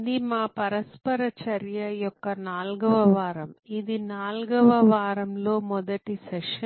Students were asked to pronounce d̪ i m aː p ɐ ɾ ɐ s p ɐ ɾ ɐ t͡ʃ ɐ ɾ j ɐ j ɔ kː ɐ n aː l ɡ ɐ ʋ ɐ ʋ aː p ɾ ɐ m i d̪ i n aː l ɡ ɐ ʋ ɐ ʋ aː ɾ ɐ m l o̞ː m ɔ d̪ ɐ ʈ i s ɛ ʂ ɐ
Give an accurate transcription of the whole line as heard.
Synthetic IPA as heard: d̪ i m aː p ɐ ɾ ɐ s p ɐ ɾ ɐ t͡ʃ ɐ ɾ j ɐ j ɔ kː ɐ n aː l ɡ ɐ ʋ ɐ ʋ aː ɾ ɐ m i d̪ i n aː l ɡ ɐ ʋ ɐ ʋ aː ɾ ɐ m l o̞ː m ɔ d̪ ɐ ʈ i s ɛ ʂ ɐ